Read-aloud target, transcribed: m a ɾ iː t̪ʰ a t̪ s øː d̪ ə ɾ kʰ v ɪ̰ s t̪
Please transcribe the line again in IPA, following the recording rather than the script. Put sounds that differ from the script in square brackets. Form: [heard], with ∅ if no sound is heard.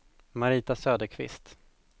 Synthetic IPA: m a ɾ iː [t̪] a [∅] s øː d̪ ə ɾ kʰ v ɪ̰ s t̪